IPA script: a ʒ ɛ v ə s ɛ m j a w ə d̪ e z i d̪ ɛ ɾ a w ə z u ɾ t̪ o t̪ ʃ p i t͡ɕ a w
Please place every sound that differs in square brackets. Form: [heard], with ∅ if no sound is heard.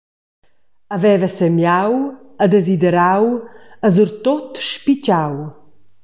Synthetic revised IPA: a [v] ɛ v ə s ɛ m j a w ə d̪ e z i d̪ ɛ ɾ a w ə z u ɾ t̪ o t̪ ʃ p i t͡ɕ a w

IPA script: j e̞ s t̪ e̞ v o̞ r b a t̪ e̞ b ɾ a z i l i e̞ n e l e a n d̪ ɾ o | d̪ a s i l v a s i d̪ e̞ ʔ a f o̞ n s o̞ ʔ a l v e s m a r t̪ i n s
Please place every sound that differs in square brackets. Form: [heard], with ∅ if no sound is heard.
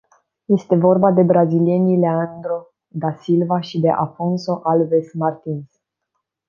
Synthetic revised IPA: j e̞ s t̪ e̞ v o̞ r b a [d̪] e̞ b ɾ a z i l i e̞ n [i] l e a n d̪ ɾ o | d̪ a s i l v a [ʃ] i d̪ e̞ ʔ a f o̞ n s o̞ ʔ a l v e s m a r t̪ i n s

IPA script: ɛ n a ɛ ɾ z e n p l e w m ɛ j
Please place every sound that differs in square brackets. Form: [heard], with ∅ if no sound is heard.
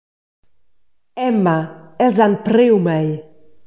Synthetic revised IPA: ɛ [m] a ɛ [l] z [a] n p [ɾ] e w m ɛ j

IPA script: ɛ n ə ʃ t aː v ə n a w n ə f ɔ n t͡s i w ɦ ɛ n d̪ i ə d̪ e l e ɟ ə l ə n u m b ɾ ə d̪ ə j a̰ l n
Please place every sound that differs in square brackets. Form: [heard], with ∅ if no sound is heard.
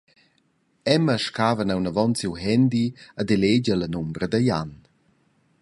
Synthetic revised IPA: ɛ [m] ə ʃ [k] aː v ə n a w n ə [v] ɔ n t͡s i w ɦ ɛ n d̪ i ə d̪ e l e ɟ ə l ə n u m b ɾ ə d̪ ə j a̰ [∅] n

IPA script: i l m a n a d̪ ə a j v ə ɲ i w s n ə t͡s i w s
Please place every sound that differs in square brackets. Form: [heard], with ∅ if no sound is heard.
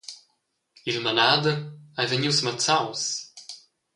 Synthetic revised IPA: i l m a n a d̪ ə a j v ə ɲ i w s [m] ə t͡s [a] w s

